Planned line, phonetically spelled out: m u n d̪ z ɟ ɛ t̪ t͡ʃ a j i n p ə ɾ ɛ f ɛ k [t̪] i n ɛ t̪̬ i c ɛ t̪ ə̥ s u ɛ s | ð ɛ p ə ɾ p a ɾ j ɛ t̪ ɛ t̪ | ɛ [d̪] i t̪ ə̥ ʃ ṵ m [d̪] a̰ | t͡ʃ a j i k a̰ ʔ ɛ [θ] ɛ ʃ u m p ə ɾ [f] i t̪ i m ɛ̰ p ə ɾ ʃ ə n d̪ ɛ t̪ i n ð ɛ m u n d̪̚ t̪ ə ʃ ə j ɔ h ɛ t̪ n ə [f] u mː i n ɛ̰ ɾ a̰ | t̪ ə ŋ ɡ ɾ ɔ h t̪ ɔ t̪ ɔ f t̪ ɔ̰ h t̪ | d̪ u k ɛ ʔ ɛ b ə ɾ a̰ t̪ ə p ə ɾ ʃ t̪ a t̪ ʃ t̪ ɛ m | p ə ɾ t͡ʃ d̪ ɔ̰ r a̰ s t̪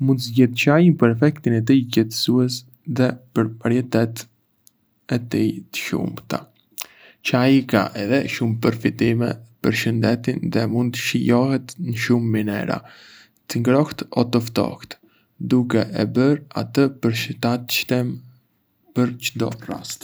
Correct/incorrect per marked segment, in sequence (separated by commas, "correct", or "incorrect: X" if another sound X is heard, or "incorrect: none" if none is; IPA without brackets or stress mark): correct, incorrect: t̪, incorrect: t̪, incorrect: ð, correct, incorrect: ʃ